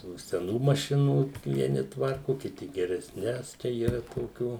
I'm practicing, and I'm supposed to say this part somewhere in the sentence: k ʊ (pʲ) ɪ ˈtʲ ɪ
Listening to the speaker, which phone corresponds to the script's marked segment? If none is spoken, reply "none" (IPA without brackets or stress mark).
kʲ